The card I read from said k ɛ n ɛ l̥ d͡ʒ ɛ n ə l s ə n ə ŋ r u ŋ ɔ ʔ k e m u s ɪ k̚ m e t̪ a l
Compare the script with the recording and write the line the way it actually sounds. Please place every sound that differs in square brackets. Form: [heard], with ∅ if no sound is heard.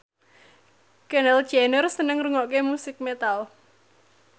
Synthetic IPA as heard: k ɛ n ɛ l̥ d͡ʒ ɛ n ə [r] s ə n ə ŋ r u ŋ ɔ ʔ k e m u s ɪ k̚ m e t̪ a l